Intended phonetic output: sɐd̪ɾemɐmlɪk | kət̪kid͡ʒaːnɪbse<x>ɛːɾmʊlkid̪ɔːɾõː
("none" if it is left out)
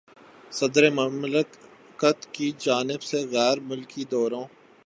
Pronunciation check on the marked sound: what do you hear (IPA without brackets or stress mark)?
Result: ɣ